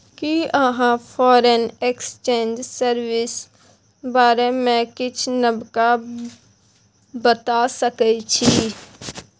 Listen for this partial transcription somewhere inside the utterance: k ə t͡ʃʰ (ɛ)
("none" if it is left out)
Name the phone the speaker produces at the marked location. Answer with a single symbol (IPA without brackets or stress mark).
i